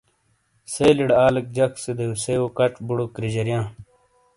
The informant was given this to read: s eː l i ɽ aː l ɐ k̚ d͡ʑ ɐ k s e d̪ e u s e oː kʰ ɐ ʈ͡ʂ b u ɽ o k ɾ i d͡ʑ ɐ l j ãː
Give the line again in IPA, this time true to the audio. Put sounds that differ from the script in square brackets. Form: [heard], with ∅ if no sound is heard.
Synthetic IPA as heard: s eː l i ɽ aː l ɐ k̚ d͡ʑ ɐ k s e d̪ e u s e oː [k] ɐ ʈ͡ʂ b u ɽ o k ɾ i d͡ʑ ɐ [ɾ] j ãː